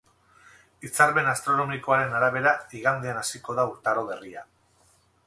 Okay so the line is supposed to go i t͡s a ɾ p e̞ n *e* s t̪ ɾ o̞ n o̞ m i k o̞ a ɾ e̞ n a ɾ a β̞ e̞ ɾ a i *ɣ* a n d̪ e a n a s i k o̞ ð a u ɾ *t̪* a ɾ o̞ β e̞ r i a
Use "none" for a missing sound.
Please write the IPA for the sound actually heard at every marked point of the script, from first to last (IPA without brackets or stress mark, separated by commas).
a, ɣ, t̪